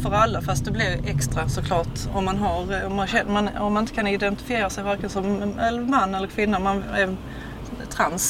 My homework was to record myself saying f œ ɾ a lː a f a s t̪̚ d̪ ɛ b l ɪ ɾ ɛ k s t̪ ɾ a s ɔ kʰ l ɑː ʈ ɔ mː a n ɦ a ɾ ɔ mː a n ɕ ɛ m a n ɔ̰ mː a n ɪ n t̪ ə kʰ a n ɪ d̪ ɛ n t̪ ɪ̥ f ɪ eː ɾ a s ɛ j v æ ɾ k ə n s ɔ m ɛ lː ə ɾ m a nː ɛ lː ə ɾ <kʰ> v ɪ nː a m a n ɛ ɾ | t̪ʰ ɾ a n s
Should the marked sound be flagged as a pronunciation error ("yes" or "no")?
no